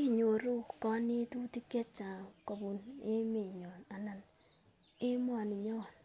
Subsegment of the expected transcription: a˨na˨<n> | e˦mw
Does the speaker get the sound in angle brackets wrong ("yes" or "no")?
no